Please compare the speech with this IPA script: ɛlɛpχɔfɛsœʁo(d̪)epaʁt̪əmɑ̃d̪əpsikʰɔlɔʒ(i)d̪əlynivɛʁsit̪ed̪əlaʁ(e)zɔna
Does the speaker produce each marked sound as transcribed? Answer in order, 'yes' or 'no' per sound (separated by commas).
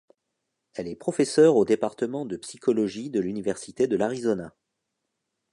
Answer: yes, yes, no